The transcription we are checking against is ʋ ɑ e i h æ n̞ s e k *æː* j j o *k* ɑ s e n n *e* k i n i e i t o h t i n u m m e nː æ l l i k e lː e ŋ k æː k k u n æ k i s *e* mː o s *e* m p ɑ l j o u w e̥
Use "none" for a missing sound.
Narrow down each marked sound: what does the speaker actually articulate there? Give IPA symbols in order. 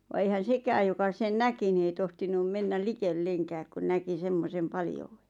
æː, k, æ, e, e

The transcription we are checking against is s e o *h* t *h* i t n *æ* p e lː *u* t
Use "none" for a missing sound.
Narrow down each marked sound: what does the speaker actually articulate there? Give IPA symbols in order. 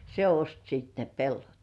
s, s, e, o

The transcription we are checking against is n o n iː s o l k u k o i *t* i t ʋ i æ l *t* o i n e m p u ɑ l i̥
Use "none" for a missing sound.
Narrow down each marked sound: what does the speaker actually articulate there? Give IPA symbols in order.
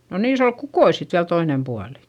s, t

